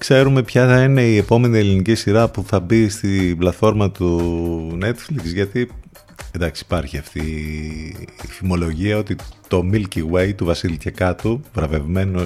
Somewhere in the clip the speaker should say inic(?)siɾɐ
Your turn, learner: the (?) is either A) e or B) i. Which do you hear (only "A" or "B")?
B